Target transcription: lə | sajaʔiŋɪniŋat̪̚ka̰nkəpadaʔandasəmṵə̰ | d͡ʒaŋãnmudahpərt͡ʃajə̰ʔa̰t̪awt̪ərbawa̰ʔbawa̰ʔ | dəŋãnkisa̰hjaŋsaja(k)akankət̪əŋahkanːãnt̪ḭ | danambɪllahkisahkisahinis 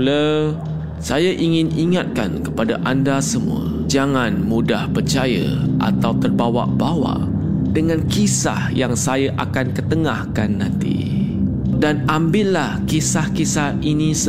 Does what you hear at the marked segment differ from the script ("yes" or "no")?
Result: yes